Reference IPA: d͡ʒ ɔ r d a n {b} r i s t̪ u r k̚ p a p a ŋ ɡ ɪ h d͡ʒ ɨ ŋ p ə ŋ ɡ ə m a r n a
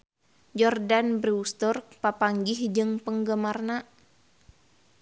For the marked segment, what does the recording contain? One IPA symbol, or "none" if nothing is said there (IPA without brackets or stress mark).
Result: b